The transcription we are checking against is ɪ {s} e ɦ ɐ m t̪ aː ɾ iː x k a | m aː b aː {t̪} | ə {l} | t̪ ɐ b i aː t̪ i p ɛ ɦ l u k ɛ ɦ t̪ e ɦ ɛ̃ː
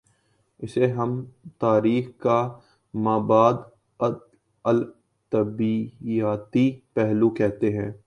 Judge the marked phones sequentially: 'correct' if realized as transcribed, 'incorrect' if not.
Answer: correct, incorrect: d̪, correct

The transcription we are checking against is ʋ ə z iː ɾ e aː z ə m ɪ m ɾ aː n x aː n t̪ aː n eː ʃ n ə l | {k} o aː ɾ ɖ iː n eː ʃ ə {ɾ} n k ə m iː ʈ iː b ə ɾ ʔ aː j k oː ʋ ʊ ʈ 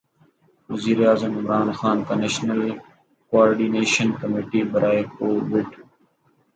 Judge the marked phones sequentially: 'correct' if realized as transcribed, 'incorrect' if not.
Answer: correct, incorrect: none

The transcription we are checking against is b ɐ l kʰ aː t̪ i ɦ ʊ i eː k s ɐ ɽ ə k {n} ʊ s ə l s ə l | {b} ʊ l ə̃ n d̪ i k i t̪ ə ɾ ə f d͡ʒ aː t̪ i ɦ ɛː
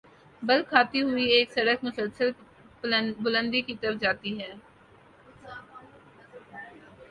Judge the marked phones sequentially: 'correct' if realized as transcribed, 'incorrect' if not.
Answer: incorrect: m, correct

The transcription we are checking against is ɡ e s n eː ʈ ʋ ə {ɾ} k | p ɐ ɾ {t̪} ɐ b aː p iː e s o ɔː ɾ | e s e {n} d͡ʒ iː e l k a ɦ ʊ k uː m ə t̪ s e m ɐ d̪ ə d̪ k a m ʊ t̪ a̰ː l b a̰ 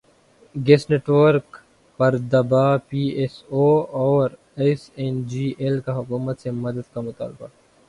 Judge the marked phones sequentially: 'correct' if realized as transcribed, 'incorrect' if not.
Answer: correct, incorrect: d̪, correct

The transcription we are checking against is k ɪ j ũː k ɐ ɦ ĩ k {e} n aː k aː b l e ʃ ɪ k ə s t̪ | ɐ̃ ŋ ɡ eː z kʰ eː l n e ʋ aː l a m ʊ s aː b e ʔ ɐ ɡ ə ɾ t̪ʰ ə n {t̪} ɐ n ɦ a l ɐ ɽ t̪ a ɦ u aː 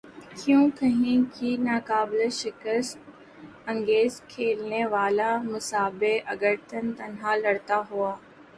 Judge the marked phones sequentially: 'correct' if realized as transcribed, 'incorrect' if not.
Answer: incorrect: i, correct

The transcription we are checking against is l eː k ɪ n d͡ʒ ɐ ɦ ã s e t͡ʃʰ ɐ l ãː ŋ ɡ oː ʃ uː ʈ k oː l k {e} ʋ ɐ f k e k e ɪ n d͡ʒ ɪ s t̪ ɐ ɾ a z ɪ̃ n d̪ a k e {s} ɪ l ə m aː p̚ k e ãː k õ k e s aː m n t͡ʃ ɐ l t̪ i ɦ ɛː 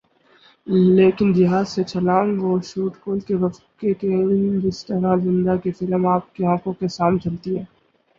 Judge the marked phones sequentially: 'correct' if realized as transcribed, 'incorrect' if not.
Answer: correct, incorrect: f

